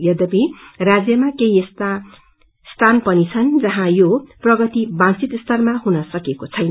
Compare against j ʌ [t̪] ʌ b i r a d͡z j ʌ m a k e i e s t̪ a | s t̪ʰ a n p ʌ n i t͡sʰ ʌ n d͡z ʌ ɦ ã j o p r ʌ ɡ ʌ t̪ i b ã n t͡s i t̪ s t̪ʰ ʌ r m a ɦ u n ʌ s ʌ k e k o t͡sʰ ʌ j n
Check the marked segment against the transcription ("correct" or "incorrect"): incorrect